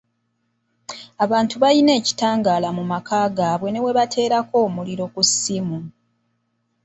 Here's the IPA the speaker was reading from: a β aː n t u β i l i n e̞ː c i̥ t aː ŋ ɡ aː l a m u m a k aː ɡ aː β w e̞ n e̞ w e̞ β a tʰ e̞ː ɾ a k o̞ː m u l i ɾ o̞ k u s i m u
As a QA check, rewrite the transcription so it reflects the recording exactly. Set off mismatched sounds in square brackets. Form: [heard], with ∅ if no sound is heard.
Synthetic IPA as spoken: a β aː n t u β [a] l i n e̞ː c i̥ t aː ŋ ɡ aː l a m u m a k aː ɡ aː β w e̞ n e̞ w e̞ β a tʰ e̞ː ɾ a k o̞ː m u l i ɾ o̞ k u s i m u